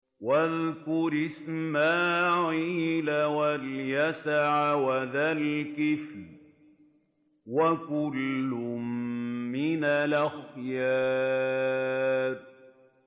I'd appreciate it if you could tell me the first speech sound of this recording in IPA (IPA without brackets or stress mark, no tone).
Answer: w